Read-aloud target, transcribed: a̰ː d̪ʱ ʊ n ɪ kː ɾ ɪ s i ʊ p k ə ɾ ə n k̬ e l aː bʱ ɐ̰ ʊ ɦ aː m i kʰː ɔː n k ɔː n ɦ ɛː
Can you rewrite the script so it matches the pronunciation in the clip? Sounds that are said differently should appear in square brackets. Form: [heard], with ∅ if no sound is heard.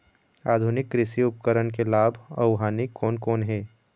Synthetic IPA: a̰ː d̪ʱ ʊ n ɪ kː ɾ ɪ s i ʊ p k ə ɾ ə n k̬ e l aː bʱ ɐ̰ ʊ ɦ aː [n] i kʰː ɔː n k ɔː n ɦ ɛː